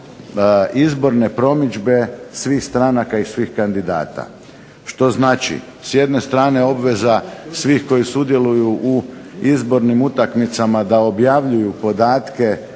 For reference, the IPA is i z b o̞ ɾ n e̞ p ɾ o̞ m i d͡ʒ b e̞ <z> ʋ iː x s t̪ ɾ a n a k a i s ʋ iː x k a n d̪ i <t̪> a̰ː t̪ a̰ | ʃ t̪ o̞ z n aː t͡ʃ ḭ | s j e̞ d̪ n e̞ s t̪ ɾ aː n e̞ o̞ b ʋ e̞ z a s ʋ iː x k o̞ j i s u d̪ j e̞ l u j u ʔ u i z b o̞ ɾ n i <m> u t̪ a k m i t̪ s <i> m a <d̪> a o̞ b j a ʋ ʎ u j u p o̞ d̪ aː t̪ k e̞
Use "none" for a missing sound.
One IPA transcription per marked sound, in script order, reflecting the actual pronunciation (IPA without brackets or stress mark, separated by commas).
s, d̪, m, a, d̪